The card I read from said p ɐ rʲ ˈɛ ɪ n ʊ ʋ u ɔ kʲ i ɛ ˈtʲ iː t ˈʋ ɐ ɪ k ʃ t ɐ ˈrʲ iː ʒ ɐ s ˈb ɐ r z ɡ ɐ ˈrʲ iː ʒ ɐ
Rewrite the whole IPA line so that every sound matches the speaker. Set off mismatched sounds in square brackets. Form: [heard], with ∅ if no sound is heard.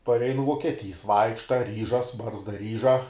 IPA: p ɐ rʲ ˈɛ ɪ n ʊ ʋ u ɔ kʲ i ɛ ˈtʲ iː [s] ˈʋ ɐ ɪ k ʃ t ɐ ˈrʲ iː ʒ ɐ s ˈb ɐ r z [d] ɐ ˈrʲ iː ʒ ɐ